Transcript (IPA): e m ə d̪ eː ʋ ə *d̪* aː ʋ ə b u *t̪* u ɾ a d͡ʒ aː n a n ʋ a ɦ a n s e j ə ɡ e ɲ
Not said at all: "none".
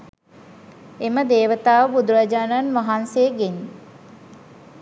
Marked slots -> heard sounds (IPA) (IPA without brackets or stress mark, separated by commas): t̪, d̪